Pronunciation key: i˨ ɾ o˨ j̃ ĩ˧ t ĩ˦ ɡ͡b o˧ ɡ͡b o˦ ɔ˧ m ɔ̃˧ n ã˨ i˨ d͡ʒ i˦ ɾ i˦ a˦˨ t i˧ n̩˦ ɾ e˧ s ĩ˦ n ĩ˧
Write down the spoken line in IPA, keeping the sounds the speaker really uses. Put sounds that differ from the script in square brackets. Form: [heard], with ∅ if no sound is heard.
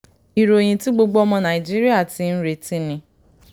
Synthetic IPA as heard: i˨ ɾ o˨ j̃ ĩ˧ t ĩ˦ ɡ͡b o˧ ɡ͡b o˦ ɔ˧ m ɔ̃˧ n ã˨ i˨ d͡ʒ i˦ ɾ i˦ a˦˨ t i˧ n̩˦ ɾ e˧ [t] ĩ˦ n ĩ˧